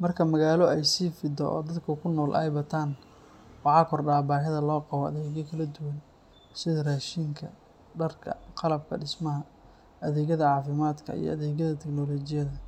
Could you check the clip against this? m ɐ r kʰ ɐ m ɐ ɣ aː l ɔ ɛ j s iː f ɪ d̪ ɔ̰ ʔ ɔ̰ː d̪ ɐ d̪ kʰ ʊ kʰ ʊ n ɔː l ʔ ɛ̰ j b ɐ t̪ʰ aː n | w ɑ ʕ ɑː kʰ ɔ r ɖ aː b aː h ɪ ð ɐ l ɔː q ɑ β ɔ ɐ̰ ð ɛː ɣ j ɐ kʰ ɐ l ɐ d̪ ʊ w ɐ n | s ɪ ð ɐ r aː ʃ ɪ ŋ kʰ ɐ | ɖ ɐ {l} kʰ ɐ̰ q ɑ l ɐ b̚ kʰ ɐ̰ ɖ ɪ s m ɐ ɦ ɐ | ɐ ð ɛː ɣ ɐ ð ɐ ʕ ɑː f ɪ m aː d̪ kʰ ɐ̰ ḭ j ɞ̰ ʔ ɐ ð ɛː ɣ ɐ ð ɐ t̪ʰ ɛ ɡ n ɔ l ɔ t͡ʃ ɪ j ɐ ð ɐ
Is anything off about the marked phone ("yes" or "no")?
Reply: yes